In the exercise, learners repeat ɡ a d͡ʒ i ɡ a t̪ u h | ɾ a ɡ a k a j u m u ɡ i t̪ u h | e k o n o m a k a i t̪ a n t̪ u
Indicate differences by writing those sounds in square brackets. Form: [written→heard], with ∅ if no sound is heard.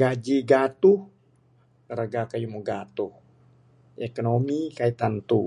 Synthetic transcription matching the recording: ɡ a d͡ʒ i ɡ a t̪ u h | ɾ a ɡ a k a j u m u ɡ [i→a] t̪ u h | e k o n o m [a→i] k a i t̪ a n t̪ u